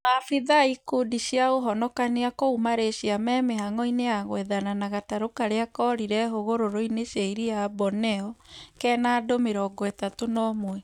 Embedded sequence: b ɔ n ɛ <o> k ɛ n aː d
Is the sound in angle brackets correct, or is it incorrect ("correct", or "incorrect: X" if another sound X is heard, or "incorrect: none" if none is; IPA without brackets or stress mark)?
incorrect: ɔ